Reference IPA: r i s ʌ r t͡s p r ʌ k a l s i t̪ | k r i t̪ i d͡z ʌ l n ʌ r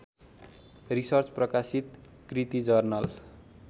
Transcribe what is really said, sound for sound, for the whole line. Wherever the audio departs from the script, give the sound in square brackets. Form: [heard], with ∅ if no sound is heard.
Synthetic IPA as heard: r i s ʌ r t͡s p r ʌ k a [∅] s i t̪ | k r i t̪ i d͡z ʌ [r] n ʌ [l]